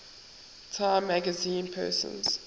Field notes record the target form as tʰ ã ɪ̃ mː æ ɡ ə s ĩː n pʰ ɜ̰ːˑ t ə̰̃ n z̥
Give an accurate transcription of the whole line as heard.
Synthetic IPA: tʰ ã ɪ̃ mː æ ɡ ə z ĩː n pʰ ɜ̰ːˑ s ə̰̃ n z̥